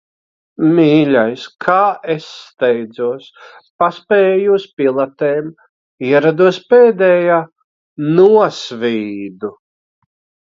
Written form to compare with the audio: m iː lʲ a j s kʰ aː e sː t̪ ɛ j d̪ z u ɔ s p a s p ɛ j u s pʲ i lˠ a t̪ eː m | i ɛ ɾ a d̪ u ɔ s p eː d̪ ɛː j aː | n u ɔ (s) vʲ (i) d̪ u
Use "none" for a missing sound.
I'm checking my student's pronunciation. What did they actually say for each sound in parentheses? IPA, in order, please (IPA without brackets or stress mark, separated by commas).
s, iː